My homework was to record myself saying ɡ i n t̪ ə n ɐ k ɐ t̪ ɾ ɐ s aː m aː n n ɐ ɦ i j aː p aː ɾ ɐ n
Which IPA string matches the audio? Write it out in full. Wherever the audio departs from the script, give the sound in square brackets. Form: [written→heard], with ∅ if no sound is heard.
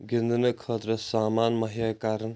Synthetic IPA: ɡ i n [t̪→d̪] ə n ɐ [k→kʰ] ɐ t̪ ɾ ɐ s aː m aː n [n→m] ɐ ɦ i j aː [p→k] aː ɾ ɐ n